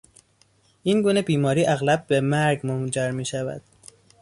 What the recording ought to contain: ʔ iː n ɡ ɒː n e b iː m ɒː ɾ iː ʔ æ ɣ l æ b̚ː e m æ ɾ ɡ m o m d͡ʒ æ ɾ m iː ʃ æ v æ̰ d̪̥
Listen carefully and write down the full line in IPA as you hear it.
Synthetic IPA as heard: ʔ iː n ɡ uː n e b iː m ɒː ɾ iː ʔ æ ɣ l æ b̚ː e m æ ɾ ɡ m o m d͡ʒ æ ɾ m iː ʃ æ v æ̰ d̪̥